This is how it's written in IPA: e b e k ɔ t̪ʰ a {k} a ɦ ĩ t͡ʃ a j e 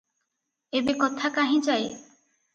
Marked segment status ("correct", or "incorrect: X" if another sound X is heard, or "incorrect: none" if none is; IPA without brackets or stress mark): correct